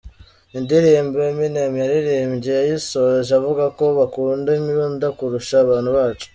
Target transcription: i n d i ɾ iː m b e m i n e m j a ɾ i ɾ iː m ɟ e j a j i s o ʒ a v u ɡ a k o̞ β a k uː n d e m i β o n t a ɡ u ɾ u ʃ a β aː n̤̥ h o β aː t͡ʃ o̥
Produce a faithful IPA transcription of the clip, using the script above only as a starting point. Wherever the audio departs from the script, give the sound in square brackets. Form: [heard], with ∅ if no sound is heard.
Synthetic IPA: i n d i ɾ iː m b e m i n e m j a ɾ i ɾ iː m ɟ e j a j i s o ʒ a v u ɡ a k o̞ β a k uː n d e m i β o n [d] a [k] u ɾ u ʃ a β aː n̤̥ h [u] β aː t͡ʃ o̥